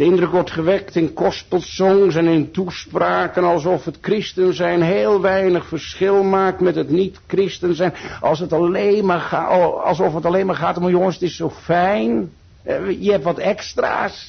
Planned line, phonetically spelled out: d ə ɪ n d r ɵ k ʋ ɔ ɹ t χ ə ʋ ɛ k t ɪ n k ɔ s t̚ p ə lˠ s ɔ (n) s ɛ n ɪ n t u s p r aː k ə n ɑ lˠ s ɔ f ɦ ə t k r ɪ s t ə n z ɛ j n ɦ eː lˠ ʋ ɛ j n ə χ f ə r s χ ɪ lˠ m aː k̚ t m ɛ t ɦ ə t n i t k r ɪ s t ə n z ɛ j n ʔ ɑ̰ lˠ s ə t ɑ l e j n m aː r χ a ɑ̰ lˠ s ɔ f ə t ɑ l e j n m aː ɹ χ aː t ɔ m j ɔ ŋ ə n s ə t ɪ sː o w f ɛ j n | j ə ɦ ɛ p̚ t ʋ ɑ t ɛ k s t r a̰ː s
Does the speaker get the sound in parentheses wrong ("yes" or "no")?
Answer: yes